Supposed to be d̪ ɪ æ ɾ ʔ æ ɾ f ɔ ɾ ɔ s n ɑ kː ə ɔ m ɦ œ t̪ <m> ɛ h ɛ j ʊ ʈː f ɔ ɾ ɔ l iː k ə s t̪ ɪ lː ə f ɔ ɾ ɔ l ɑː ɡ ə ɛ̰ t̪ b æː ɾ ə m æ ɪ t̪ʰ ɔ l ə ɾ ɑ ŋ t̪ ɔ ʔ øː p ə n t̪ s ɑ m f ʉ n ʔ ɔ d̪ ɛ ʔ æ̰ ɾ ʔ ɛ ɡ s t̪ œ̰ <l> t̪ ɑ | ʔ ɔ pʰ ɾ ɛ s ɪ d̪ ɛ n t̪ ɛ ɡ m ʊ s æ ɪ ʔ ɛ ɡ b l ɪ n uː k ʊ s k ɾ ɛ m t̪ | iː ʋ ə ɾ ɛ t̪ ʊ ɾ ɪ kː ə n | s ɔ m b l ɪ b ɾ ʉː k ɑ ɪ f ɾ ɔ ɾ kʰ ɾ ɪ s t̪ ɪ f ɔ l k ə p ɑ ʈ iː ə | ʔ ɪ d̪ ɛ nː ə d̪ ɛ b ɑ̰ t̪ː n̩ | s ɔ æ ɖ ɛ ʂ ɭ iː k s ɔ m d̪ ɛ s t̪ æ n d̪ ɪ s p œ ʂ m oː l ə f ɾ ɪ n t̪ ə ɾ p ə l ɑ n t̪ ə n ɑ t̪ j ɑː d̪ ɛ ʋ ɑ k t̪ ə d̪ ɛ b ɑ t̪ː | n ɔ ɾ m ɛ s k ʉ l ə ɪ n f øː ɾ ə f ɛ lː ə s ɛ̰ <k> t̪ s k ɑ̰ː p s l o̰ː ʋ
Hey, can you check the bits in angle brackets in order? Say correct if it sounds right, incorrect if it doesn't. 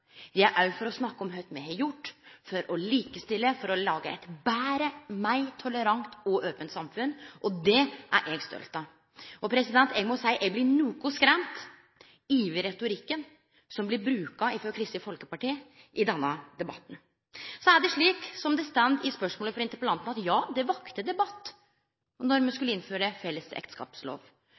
correct, correct, correct

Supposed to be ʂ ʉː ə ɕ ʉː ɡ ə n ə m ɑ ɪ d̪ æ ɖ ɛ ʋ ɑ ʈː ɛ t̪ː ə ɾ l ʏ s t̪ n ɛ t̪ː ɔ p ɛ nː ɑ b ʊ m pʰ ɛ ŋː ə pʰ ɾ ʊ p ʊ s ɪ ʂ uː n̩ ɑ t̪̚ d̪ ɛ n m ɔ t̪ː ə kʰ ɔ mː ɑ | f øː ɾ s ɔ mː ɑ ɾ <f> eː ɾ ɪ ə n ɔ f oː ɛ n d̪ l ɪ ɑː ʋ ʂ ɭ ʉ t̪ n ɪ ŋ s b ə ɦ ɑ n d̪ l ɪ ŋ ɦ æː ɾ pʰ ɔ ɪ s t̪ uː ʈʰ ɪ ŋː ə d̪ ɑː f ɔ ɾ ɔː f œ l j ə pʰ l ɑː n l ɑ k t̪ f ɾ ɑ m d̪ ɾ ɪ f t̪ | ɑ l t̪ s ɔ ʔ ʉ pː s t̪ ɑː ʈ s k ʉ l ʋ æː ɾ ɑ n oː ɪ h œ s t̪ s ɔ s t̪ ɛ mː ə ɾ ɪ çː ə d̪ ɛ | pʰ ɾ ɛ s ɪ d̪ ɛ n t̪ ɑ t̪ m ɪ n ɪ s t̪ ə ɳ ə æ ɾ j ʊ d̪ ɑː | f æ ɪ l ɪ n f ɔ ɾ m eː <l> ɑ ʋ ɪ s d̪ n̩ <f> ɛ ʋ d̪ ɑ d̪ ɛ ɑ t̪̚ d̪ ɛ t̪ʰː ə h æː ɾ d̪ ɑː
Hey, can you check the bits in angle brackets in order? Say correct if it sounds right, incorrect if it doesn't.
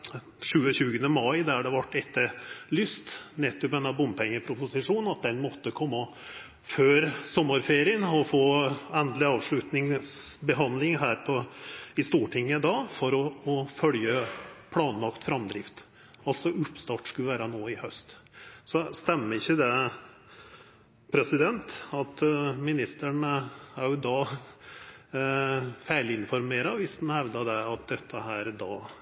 correct, incorrect: ɾ, incorrect: h

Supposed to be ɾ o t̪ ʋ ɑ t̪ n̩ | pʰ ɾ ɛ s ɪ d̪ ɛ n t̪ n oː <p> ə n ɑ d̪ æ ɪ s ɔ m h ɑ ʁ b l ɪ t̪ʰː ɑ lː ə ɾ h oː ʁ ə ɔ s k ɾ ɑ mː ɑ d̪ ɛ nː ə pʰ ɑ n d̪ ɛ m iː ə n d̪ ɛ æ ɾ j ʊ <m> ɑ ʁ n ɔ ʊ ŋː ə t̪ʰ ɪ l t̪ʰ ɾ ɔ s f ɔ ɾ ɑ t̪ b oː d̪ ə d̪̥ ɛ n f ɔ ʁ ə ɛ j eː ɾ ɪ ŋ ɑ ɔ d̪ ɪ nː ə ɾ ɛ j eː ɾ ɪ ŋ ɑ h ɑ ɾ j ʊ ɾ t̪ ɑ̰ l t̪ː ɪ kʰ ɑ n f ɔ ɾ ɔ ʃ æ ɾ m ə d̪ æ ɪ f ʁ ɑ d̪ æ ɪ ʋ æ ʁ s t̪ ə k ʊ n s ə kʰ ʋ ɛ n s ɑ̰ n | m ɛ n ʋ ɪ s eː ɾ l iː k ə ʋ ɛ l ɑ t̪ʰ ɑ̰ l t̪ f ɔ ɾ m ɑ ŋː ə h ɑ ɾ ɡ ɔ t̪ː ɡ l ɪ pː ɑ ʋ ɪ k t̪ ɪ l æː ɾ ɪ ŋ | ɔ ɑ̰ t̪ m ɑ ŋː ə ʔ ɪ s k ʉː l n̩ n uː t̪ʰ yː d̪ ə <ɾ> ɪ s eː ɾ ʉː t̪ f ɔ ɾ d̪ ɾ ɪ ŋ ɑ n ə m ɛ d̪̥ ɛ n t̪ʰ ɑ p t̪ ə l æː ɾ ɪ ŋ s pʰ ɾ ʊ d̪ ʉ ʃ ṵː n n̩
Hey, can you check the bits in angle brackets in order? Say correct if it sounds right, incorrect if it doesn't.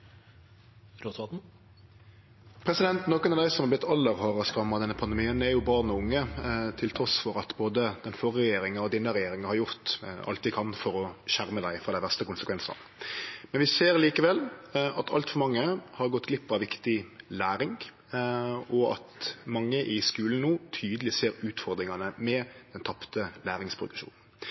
incorrect: k, incorrect: b, incorrect: l

